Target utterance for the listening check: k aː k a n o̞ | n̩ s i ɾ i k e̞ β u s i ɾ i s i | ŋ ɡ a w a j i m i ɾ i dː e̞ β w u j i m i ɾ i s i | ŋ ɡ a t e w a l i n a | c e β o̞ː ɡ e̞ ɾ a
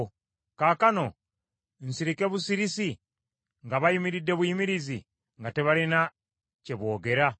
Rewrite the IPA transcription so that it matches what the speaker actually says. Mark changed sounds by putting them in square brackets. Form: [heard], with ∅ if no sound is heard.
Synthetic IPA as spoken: k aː k a n o̞ | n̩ s i ɾ i k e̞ β u s i ɾ i s i | ŋ ɡ a [β] a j i m i ɾ i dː e̞ β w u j i m i ɾ i [z] i | ŋ ɡ a t e [β] a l i n a | c e β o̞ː ɡ e̞ ɾ a

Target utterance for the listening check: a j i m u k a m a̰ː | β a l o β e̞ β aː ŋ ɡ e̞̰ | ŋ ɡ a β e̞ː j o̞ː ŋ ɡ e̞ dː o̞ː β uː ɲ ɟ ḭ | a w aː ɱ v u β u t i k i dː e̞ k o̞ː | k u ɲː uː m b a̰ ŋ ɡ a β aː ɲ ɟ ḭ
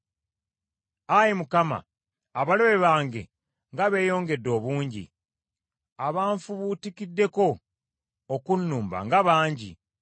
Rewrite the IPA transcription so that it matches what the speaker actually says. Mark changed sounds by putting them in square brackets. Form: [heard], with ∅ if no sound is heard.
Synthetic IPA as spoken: a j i m u k a m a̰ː | β a l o β e̞ β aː ŋ ɡ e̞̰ | ŋ ɡ a β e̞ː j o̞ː ŋ ɡ e̞ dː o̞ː β uː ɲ ɟ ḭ | a [β] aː ɱ [f] u β u t i k i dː e̞ k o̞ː | k u [nː] uː m b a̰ ŋ ɡ a β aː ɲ ɟ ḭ

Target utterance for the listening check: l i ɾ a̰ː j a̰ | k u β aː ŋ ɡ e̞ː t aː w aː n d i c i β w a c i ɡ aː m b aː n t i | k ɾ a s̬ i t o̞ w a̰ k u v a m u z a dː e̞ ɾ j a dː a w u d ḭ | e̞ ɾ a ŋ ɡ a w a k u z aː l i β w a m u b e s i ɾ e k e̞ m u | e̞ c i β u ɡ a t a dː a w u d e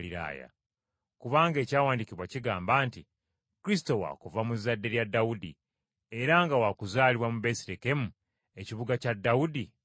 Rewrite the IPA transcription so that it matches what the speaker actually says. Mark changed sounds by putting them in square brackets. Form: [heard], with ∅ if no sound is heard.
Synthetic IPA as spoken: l i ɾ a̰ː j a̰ | k u β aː ŋ ɡ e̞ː [c] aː w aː n d i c i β w a c i ɡ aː m b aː n t i | k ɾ [i] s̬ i t o̞ w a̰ k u v a m u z a dː e̞ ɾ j a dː a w u d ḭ | e̞ ɾ a ŋ ɡ a w a k u z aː l i β w a m u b e s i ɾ e k e̞ m u | e̞ c i β u ɡ a [c] a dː a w u d [i]

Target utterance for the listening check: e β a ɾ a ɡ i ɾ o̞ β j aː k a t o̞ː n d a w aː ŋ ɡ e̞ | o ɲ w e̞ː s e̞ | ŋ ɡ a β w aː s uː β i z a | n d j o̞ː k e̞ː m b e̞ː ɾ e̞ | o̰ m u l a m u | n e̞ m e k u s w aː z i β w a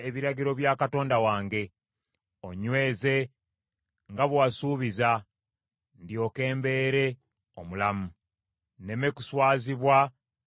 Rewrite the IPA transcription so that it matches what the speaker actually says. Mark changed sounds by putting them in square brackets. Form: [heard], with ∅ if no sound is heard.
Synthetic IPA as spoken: e β [i] ɾ a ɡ i ɾ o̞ β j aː k a t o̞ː n d a w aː ŋ ɡ e̞ | o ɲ w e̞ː [z] e̞ | ŋ ɡ a β w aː s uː β i z a | n d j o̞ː k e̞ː m b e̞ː ɾ e̞ | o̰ m u l a m u | n e̞ m e k u s w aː z i β w a

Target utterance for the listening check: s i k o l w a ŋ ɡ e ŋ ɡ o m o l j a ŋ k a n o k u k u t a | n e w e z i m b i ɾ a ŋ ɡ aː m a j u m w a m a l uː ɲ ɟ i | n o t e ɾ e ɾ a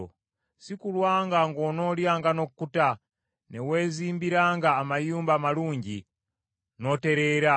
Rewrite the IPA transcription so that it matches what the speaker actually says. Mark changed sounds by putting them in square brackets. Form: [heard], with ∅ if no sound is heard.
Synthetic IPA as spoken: s i k [u] l w a ŋ ɡ [a] ŋ ɡ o [n] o l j a ŋ [ɡ] a n o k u k u t a | n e w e z i m b i ɾ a ŋ ɡ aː m a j u m [b] a m a l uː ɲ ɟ i | n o t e ɾ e ɾ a

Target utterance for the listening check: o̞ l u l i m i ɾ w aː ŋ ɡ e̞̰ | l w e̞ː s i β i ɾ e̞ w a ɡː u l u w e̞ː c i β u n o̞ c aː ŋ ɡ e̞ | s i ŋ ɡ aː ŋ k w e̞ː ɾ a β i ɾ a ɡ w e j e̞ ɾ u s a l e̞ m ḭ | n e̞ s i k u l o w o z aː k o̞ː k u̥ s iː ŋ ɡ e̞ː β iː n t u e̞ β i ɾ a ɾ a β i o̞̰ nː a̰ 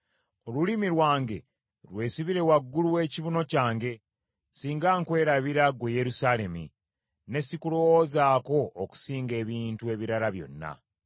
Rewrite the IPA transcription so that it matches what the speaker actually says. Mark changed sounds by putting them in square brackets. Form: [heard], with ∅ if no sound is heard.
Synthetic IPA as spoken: o̞ l u l i m i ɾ w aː ŋ ɡ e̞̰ | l w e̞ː s i β i ɾ e̞ w a ɡː u l u w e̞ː c i β u n o̞ c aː ŋ ɡ e̞ | s [iː] ŋ ɡ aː ŋ k w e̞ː ɾ a β i ɾ a ɡ w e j e̞ ɾ u s a l e̞ m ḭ | n e̞ s i k u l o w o z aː k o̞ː k u̥ s iː ŋ ɡ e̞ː β iː n t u e̞ β i ɾ a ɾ a β [j] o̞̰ nː a̰

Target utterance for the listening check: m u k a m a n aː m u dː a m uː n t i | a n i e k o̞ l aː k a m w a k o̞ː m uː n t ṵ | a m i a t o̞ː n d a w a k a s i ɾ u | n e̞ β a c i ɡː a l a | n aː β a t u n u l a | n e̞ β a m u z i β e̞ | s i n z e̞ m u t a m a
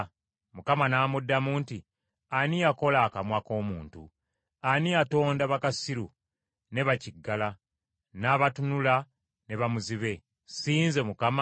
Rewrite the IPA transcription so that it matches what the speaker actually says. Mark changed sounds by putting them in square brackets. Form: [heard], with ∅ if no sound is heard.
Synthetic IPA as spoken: m u k a m a n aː m u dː a m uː n t i | a n i [a] k o̞ l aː k a m w a k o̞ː m uː n t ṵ | a [n] i a t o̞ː n d a [β] a k a s i ɾ u | n e̞ β a c i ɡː a l a | n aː β a t u n u l a | n e̞ β a m u z i β e̞ | s [iː] n z e̞ m u [k] a m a

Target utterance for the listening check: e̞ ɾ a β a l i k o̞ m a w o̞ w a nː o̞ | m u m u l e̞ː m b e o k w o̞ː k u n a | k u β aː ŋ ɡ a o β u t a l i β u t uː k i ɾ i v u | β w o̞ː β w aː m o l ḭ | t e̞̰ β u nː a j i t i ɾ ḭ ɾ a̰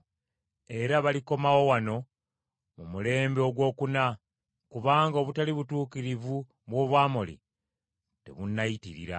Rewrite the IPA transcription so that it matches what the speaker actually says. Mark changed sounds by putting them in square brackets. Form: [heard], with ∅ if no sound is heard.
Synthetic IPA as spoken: e̞ ɾ a β a l i k o̞ m a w o̞ w a [n] o̞ | m u m u l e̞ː m b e o [ɡ] w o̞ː k u n a | k u β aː ŋ ɡ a o β u t a l i β u t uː k i ɾ i v u | β w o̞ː β w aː m o l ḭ | t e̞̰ β u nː a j i t i ɾ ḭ ɾ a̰

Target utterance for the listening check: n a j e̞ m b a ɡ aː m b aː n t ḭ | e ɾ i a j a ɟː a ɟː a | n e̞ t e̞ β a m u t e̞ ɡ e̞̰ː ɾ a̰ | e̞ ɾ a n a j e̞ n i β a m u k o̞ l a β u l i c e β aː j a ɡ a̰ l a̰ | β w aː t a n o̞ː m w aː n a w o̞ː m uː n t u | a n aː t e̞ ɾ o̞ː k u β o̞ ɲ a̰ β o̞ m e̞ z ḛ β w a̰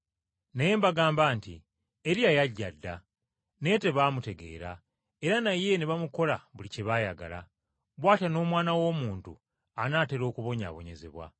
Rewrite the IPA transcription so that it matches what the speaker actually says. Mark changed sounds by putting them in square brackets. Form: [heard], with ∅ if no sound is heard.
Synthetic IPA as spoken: n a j e̞ m b a ɡ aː m b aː n t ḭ | e ɾ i a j a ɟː a [dː] a | n e̞ t e̞ β a m u t e̞ ɡ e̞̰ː ɾ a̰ | e̞ ɾ a n a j e̞ n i β a m u k o̞ l a β u l i c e β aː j a ɡ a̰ l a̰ | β w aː t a n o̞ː m w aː n a w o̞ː m uː n t u | a n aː t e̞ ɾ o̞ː k u β o̞ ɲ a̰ β o̞ [ɲ] e̞ z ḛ β w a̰

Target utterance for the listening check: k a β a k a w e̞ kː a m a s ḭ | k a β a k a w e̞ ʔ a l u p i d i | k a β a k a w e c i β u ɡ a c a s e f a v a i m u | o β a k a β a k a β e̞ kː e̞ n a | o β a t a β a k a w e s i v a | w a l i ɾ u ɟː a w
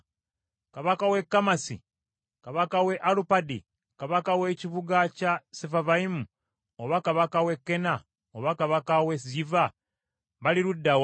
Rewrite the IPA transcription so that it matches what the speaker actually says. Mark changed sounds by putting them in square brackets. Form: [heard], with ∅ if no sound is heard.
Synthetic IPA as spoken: k a β a k a w e̞ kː a m a s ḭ | k a β a k a w e̞ ʔ a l u p [a] d i | k a β a k a w e c i β u ɡ a c a s e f a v a i m u | o β a k a β a k a [w] e̞ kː e̞ n a | o β a [k] a β a k a w e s i v a | [β] a l i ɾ u [dː] a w

